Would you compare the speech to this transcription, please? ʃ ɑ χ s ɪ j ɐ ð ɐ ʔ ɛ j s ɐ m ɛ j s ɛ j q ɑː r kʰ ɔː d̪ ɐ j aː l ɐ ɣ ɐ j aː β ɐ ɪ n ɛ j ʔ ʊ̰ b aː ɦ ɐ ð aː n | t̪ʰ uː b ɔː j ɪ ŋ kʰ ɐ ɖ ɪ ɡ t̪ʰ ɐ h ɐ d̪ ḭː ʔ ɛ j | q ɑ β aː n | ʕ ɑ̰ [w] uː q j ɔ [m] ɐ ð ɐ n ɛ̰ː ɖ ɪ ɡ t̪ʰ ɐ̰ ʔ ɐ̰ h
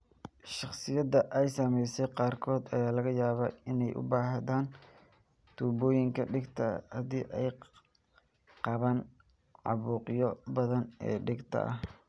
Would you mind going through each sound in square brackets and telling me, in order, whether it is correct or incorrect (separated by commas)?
incorrect, incorrect